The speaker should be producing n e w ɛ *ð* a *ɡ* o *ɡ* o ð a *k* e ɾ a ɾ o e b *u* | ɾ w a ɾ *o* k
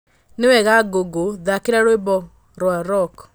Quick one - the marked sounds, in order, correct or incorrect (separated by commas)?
incorrect, correct, correct, correct, incorrect, incorrect